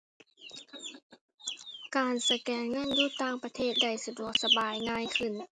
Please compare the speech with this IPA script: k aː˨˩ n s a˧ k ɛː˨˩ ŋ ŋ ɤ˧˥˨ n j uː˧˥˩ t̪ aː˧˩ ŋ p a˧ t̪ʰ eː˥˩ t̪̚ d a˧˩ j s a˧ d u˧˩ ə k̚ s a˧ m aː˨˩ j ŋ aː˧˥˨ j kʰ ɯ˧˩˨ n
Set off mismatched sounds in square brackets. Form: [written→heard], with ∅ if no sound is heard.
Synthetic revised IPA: k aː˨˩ n s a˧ k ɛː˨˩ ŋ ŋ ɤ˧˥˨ n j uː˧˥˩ t̪ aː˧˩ ŋ p a˧ t̪ʰ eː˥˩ t̪̚ d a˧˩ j s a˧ d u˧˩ ə k̚ s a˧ [m→b] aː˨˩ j ŋ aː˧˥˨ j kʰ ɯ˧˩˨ n